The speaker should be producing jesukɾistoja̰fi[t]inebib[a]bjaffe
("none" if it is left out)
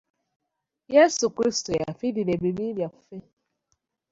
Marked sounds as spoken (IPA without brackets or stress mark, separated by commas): d, i